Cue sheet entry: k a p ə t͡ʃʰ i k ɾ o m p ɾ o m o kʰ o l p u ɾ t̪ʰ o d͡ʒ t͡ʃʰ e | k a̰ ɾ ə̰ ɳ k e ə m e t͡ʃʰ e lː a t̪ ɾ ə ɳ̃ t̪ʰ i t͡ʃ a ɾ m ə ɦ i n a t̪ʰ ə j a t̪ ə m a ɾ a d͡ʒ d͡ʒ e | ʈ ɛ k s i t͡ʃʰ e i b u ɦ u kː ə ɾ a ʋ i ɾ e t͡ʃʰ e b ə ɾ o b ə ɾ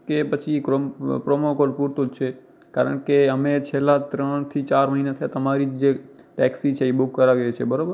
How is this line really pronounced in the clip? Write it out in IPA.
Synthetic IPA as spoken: k e p ə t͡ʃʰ i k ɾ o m p ɾ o m o k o l p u ɾ t̪ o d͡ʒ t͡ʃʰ e | k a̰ ɾ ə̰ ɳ k e ə m e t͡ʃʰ e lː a t̪ ɾ ə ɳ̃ t̪ʰ i t͡ʃ a ɾ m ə ɦ i n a t̪ʰ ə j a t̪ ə m a ɾ i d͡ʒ d͡ʒ e | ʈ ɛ k s i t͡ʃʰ e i b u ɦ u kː ə ɾ a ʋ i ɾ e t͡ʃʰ e b ə ɾ o b ə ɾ